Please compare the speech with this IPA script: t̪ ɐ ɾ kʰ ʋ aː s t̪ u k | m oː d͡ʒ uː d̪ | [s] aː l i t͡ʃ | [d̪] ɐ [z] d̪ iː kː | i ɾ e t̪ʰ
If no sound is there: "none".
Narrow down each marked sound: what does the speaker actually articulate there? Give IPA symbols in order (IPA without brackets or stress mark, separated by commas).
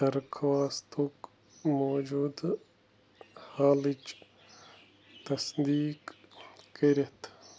h, t̪, s